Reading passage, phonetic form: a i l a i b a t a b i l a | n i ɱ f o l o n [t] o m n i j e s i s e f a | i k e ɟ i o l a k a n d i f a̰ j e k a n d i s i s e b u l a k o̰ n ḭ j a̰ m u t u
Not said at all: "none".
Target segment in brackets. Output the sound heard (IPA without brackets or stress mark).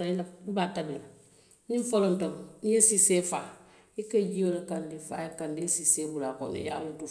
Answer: t